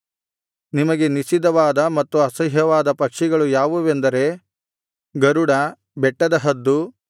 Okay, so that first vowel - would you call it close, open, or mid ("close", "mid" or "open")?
close